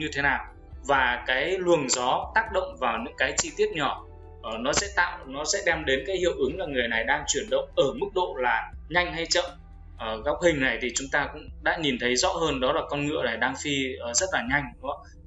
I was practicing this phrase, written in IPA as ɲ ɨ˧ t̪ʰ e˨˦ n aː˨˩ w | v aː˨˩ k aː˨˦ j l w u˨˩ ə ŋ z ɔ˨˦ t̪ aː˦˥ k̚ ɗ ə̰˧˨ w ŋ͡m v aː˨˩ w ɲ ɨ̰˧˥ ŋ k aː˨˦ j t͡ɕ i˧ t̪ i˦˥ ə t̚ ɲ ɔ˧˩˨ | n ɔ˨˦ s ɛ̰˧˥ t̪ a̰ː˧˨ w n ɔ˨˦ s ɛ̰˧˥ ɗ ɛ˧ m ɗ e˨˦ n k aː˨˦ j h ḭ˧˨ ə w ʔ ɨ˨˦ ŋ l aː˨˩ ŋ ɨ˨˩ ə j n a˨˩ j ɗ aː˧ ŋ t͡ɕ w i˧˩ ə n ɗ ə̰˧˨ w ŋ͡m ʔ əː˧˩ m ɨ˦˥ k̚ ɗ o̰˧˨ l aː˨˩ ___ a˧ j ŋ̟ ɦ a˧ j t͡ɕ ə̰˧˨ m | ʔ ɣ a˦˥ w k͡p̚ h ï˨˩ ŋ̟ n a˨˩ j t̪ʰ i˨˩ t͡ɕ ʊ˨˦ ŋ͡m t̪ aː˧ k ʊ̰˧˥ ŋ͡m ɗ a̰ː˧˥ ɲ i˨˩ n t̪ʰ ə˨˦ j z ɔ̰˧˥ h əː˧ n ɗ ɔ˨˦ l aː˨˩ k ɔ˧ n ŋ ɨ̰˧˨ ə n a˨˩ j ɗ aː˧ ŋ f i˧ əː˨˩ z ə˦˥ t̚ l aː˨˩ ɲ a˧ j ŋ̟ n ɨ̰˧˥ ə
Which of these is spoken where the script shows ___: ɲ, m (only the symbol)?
ɲ